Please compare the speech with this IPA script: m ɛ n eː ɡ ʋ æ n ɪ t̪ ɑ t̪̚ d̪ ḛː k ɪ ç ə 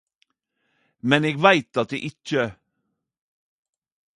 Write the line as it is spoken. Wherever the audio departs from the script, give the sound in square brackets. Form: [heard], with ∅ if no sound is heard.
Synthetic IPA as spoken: m ɛ n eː ɡ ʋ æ [∅] ɪ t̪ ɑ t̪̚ d̪ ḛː [ʔ] ɪ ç ə